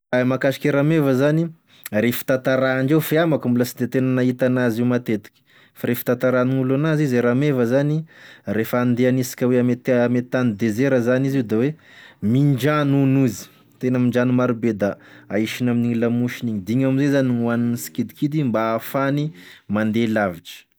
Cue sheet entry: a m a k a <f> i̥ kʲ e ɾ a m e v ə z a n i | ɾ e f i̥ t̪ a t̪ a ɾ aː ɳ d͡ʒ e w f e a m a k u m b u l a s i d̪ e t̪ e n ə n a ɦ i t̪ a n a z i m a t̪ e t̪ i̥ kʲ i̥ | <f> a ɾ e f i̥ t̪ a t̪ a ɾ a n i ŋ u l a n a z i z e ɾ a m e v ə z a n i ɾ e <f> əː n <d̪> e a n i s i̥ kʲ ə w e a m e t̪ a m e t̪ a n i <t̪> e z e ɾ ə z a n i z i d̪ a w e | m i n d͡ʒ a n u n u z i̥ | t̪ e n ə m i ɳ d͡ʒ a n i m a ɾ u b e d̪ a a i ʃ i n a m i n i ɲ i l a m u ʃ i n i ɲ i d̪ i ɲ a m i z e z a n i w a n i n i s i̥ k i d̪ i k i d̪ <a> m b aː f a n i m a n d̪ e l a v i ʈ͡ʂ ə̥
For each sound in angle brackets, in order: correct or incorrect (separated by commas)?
incorrect, correct, correct, correct, incorrect, incorrect